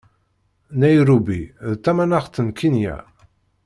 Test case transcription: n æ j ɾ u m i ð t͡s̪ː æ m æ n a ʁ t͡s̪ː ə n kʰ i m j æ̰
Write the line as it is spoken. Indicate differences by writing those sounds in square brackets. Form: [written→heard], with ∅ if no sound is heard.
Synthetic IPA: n æ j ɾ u [m→b] i ð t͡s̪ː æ m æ n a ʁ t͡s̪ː ə n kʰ i [m→n] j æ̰